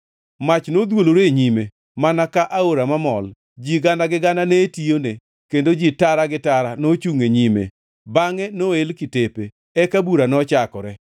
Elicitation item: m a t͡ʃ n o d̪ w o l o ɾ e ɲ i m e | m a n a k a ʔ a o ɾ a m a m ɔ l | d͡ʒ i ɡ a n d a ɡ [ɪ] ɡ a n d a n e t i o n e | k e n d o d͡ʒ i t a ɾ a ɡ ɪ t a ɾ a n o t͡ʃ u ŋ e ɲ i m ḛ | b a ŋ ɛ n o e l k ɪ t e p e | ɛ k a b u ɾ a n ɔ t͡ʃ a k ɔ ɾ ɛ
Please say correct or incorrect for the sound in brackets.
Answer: correct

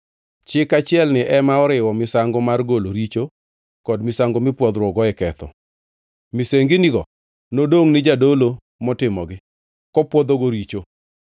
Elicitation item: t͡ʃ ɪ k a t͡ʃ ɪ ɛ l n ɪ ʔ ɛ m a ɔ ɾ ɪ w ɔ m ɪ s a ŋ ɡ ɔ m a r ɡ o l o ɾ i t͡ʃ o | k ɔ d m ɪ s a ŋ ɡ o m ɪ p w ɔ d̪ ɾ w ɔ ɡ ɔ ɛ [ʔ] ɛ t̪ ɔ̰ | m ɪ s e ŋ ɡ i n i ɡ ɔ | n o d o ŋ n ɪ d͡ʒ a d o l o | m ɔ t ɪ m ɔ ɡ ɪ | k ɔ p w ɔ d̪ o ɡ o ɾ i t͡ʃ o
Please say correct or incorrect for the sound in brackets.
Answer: incorrect: k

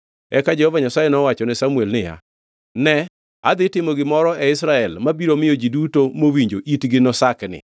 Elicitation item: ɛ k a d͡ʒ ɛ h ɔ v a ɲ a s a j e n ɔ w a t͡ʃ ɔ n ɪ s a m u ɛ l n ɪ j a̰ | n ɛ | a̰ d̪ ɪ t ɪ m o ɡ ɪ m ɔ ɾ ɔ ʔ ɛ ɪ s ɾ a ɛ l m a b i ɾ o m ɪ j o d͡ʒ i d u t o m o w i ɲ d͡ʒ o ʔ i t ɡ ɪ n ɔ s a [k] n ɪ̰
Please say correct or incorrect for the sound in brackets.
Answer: correct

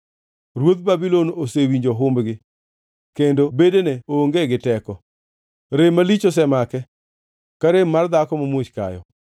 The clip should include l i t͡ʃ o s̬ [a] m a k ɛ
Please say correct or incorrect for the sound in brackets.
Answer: incorrect: ɛ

